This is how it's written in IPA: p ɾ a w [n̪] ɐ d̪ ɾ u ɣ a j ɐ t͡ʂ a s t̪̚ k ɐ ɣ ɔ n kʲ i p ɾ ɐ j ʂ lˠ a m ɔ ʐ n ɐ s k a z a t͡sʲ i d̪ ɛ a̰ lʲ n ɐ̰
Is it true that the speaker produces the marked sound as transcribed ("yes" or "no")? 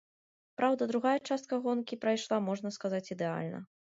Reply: no